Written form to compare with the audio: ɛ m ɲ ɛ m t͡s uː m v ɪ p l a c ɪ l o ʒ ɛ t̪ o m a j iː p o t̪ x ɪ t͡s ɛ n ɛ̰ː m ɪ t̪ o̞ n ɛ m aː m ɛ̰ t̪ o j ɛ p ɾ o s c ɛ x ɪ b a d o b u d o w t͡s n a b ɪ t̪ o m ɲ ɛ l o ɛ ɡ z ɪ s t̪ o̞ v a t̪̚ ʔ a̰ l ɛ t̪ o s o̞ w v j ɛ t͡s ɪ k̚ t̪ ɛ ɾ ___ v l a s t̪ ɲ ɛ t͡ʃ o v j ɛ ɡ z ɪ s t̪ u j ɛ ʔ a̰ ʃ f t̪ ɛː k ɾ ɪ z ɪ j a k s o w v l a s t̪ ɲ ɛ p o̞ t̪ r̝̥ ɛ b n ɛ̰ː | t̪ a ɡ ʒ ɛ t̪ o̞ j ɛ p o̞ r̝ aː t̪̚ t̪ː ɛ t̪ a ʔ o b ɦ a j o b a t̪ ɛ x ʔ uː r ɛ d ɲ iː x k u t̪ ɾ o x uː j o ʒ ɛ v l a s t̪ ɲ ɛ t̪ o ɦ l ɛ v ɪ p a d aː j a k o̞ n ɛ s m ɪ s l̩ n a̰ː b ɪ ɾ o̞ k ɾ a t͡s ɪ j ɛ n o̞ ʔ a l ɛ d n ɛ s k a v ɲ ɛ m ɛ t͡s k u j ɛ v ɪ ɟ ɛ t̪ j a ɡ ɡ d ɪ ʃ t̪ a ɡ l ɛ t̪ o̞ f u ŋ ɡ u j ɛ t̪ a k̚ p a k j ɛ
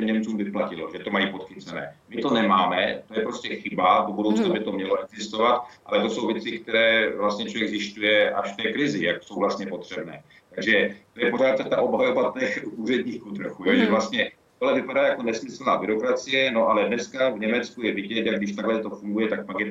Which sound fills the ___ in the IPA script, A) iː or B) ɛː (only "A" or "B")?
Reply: B